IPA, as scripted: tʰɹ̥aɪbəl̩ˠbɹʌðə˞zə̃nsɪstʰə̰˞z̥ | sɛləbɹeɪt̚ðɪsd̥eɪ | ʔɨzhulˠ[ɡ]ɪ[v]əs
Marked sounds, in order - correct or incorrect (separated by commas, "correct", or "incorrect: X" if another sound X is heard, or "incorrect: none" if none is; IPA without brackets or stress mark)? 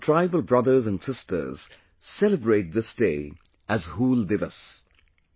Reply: incorrect: d, correct